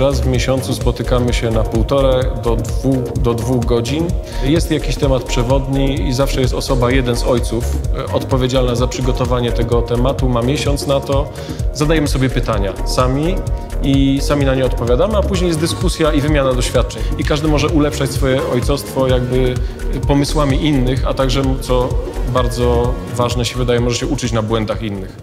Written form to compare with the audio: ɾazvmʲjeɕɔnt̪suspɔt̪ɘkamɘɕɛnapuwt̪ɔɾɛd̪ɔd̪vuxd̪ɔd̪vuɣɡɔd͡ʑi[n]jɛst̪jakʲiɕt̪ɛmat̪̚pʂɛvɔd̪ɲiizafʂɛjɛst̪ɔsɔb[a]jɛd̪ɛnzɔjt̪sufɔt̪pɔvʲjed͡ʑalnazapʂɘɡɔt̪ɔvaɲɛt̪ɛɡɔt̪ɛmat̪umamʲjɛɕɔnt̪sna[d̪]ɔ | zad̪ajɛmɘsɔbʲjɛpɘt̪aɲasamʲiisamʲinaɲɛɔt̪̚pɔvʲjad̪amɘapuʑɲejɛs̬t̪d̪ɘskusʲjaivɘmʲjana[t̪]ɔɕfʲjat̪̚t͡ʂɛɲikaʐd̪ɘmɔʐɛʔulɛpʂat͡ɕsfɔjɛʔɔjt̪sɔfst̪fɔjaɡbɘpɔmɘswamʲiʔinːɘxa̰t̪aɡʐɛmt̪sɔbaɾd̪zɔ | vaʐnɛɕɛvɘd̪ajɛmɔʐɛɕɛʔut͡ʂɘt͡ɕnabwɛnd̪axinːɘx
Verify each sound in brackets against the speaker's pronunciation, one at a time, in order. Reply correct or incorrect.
correct, correct, incorrect, incorrect

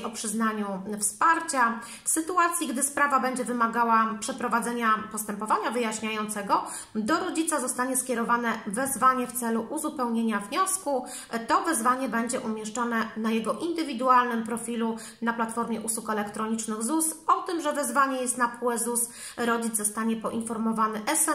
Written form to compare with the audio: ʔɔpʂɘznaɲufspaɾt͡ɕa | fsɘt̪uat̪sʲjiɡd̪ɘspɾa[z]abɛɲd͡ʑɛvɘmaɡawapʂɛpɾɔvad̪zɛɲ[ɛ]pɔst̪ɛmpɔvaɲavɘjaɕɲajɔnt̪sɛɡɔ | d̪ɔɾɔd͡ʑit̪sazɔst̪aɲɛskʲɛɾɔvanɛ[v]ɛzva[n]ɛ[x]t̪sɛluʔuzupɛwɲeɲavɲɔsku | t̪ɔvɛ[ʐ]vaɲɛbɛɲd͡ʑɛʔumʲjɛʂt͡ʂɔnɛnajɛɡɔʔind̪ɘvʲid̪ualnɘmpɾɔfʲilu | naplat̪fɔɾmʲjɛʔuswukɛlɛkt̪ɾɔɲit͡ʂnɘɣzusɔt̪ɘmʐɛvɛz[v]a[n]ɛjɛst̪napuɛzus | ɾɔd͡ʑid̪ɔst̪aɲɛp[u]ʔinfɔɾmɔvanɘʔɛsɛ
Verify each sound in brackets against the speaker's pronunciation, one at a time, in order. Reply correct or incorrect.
incorrect, incorrect, correct, incorrect, incorrect, incorrect, correct, incorrect, incorrect

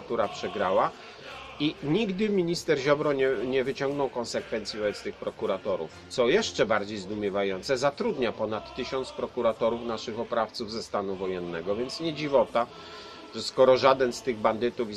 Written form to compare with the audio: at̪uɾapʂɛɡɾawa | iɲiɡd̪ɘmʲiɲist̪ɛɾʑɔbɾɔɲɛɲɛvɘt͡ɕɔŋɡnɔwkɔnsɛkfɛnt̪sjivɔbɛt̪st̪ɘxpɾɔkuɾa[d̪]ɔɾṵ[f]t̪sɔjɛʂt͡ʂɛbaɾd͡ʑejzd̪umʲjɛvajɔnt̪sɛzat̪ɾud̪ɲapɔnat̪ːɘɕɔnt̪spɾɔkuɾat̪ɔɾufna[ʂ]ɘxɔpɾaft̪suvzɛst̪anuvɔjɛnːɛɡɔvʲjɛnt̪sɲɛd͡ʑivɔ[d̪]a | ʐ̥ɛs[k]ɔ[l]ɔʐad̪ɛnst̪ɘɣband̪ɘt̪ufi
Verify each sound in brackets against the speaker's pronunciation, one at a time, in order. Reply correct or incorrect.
incorrect, correct, correct, incorrect, correct, incorrect

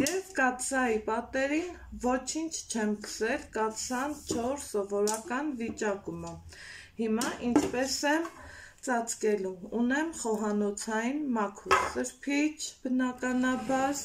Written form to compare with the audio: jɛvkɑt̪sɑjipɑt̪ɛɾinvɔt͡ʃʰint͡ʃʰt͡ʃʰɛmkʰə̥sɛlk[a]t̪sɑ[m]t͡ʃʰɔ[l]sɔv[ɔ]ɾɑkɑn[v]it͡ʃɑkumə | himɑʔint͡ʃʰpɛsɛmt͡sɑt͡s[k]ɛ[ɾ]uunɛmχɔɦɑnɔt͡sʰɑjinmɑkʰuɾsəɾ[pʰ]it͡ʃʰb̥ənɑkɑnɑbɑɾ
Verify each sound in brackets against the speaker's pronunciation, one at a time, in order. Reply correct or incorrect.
incorrect, incorrect, incorrect, correct, correct, correct, incorrect, correct

